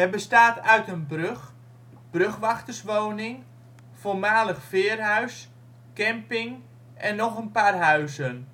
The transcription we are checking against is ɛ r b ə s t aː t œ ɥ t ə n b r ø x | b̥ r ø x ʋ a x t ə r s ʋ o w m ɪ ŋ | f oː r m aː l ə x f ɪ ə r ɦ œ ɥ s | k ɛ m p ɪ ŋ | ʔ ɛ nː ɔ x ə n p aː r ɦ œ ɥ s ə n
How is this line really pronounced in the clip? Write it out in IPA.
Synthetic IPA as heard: ɛ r b ə s t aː t œ ɥ t ə n b r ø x | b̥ r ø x ʋ a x t ə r s ʋ o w n ɪ ŋ | f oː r m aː l ə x f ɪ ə r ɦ œ ɥ s | k ɛ m p ɪ ŋ | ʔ ɛ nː ɔ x ə n p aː r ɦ œ ɥ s ə n